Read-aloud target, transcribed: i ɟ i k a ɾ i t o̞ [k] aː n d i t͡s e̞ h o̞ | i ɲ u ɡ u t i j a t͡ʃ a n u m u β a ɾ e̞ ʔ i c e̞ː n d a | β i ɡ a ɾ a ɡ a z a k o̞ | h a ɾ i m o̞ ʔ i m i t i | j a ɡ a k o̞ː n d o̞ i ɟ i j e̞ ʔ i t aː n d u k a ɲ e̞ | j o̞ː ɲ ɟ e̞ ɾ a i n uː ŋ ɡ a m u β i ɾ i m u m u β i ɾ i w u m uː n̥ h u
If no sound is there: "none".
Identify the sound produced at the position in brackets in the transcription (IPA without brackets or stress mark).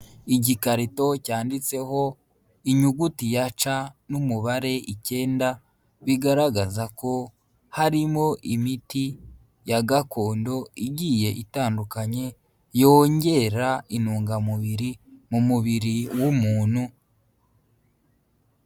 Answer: c